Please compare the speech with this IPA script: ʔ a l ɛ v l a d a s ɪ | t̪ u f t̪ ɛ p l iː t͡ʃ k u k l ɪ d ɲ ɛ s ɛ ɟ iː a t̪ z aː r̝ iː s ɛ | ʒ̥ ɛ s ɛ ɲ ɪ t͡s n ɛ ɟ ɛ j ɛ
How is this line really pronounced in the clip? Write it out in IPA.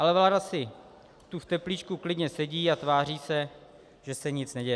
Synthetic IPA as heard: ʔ a l ɛ v l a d a s ɪ | t̪ u f t̪ ɛ p l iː t͡ʃ k u k l ɪ d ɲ ɛ s ɛ ɟ iː a t̪ v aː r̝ iː s ɛ | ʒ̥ ɛ s ɛ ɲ ɪ t͡s n ɛ ɟ ɛ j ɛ